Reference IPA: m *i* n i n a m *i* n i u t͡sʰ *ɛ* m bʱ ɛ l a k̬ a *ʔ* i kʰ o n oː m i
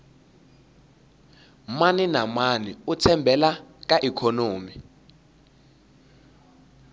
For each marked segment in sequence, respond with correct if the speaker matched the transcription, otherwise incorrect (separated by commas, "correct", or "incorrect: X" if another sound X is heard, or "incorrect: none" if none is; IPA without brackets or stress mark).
incorrect: a, incorrect: a, correct, correct